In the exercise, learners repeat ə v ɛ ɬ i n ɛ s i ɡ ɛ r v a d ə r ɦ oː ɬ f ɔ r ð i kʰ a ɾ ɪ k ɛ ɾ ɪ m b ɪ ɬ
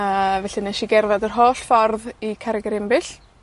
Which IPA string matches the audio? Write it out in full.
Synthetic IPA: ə v ɛ ɬ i n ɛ ʃ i ɡ ɛ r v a d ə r ɦ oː ɬ f ɔ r ð i kʰ a ɾ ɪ ɡ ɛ ɾ ɪ m b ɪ ɬ